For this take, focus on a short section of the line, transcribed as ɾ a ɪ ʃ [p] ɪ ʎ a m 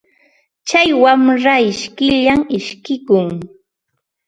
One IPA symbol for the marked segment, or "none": k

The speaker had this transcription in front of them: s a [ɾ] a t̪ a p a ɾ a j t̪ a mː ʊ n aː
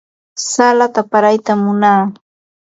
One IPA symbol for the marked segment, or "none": l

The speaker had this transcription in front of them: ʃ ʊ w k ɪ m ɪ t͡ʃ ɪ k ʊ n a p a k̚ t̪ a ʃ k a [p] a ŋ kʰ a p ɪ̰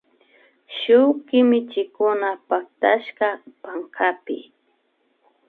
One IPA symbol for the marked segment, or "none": p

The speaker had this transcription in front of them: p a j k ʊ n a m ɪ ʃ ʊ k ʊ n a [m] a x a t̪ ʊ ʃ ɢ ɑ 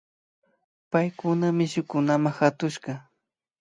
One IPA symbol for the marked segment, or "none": m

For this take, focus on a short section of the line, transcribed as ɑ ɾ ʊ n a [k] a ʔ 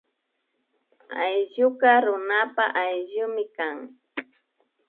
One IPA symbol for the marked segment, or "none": p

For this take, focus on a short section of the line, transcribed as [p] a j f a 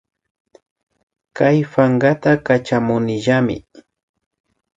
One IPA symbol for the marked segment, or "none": k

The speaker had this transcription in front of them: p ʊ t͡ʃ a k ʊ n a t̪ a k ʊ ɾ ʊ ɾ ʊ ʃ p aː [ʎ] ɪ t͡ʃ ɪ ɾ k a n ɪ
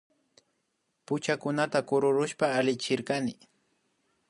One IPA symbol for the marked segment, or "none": l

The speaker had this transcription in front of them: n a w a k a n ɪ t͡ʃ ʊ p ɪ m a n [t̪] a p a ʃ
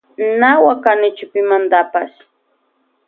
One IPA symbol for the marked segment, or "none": d̪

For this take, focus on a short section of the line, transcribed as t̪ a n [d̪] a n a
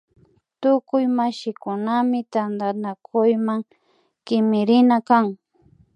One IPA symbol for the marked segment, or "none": d̪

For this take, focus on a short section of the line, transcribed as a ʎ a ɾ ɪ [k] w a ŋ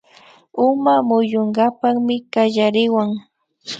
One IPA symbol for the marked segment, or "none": none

